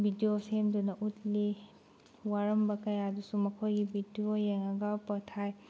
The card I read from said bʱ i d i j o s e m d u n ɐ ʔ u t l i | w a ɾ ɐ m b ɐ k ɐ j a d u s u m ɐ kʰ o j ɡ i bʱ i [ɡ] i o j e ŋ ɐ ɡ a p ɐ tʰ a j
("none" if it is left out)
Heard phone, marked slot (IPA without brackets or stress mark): d